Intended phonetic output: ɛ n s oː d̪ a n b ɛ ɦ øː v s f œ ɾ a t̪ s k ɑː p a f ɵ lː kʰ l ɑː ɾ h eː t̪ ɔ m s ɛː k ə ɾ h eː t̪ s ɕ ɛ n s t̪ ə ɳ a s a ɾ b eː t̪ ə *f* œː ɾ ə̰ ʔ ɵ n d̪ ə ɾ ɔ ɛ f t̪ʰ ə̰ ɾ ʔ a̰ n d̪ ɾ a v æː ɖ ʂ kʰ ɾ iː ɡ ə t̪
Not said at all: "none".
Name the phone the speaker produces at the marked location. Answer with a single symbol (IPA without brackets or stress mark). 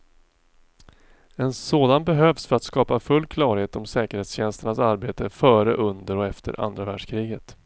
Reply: f